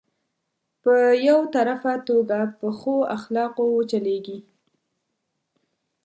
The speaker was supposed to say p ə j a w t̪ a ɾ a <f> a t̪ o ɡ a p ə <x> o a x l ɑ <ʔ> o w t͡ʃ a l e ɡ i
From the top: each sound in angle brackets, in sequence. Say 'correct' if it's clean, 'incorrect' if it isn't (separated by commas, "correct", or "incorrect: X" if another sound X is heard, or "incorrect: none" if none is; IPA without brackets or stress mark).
correct, correct, incorrect: q